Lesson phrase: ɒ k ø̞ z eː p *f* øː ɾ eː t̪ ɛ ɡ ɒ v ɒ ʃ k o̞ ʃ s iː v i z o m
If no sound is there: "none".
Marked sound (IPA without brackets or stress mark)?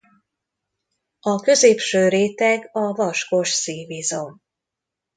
ʃ